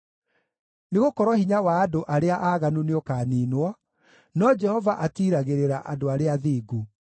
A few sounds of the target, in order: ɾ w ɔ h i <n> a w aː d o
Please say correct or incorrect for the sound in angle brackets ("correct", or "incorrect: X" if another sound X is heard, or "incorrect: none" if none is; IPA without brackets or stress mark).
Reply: incorrect: ɲ